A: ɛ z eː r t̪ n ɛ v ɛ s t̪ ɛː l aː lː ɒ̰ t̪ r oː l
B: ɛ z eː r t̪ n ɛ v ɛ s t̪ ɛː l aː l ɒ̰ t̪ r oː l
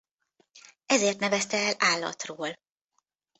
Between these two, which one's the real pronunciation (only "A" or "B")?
A